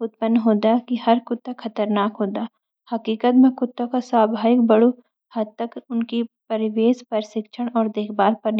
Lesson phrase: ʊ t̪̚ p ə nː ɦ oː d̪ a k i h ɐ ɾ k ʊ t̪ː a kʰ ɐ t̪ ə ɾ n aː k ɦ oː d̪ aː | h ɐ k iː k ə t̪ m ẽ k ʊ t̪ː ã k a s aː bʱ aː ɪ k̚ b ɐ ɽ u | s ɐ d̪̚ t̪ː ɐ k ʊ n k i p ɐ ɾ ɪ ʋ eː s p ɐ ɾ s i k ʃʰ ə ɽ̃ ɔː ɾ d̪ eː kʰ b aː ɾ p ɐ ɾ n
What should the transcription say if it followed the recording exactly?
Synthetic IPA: ʊ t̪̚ p ə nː ɦ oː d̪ a k i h ɐ ɾ k ʊ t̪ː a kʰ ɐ t̪ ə ɾ n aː k ɦ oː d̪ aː | h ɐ k iː k ə t̪ m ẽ k ʊ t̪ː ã k a s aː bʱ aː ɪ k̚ b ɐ ɽ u | h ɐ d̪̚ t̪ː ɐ k ʊ n k i p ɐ ɾ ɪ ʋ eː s p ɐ ɾ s ɪ k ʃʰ ə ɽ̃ ɔː ɾ d̪ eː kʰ b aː ɾ p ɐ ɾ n